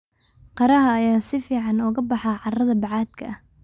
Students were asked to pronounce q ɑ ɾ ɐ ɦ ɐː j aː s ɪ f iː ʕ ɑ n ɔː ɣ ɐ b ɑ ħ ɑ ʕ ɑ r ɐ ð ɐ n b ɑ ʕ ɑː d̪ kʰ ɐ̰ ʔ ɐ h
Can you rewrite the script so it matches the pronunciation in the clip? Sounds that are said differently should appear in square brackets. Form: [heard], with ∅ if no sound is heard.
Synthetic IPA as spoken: q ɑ ɾ ɐ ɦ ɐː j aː s ɪ f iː ʕ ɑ n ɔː ɣ ɐ b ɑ ħ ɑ ʕ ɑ r ɐ ð ɐ [∅] b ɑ ʕ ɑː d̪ kʰ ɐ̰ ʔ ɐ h